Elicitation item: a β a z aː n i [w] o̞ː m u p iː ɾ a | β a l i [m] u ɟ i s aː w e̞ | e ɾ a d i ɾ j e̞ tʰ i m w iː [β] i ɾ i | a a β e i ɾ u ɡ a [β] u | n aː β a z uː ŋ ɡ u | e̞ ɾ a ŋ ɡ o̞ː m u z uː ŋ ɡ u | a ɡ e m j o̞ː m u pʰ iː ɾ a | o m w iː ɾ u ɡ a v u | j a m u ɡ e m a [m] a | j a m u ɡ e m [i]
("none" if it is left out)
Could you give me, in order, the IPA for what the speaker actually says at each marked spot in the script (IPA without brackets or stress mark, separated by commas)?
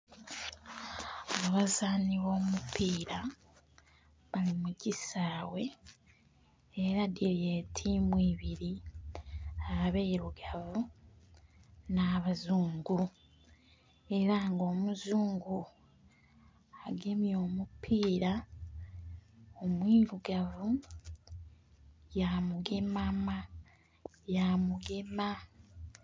β, m, β, v, m, a